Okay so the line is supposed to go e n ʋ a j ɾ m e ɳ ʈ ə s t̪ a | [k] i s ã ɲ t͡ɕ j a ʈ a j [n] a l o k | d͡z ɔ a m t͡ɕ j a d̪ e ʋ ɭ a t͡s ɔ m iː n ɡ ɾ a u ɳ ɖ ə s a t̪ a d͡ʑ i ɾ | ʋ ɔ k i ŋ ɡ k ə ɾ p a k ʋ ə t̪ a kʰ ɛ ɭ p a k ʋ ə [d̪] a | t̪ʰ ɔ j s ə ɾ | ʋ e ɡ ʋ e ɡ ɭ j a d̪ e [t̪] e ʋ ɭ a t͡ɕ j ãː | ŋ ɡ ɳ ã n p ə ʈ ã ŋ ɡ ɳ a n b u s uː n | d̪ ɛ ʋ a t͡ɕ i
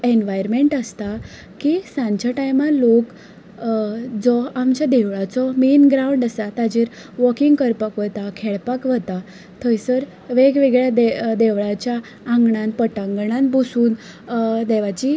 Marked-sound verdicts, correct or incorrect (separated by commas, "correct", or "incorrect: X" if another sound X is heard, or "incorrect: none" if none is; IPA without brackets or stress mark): correct, incorrect: m, incorrect: t̪, incorrect: d̪